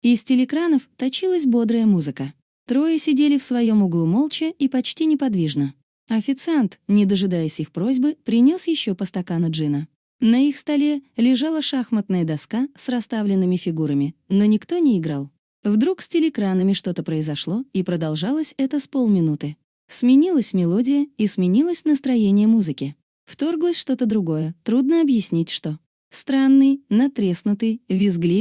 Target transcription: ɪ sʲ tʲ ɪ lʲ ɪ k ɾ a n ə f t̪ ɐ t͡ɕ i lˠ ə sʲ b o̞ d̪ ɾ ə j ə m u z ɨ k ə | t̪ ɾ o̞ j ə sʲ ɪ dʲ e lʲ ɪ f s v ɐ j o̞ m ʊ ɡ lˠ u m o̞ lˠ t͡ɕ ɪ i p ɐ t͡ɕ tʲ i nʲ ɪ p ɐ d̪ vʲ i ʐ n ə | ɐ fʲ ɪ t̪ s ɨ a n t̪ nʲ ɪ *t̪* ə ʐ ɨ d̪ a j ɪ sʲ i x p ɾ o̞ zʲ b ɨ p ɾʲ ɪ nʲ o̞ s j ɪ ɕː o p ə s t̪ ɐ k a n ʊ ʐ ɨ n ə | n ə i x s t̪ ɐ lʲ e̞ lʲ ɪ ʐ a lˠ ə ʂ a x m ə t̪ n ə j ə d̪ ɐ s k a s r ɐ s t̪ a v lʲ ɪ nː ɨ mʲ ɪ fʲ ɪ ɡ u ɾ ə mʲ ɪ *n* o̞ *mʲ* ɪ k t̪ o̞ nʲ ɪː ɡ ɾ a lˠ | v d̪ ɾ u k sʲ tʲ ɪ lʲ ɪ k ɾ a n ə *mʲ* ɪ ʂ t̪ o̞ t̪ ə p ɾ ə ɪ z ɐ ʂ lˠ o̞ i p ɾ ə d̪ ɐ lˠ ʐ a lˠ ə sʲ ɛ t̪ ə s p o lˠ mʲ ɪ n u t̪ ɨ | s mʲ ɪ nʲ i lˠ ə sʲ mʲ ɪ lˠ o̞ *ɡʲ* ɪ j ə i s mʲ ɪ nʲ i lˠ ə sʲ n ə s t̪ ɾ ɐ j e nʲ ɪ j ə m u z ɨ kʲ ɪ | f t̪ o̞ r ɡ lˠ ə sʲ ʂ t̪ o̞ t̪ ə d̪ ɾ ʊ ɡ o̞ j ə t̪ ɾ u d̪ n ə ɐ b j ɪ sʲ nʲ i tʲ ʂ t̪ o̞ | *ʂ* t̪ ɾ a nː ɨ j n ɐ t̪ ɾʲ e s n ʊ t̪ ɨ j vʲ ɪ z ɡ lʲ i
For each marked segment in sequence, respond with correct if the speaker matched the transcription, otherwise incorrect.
incorrect: d̪, correct, incorrect: nʲ, correct, incorrect: dʲ, incorrect: s

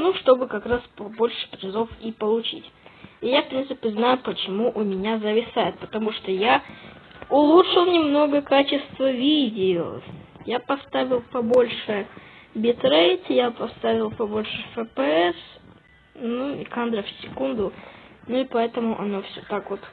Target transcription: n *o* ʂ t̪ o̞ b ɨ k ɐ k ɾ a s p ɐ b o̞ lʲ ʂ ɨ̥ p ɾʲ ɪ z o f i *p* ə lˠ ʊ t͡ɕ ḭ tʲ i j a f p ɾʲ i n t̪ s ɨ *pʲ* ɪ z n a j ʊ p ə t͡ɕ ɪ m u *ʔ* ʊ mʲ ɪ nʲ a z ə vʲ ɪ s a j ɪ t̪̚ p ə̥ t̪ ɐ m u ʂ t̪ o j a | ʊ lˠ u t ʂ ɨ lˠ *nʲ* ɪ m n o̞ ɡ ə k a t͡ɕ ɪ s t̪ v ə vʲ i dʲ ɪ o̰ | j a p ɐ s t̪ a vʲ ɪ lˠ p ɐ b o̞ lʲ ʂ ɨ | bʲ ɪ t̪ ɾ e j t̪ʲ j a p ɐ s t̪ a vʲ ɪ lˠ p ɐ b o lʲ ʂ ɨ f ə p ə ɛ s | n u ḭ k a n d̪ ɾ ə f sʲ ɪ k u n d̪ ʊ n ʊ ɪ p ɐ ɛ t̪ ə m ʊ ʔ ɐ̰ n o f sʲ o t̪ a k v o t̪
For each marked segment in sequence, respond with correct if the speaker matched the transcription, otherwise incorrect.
incorrect: u, correct, correct, correct, correct

